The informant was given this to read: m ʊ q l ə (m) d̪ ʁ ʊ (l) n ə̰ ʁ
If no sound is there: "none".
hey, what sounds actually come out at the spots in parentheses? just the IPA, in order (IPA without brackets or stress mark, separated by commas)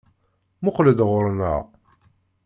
none, ɾ